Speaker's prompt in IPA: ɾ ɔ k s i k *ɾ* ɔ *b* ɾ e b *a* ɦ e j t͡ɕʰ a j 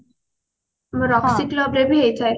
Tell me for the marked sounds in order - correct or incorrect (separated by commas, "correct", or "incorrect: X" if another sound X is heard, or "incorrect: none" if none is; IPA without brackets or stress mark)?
incorrect: l, correct, incorrect: i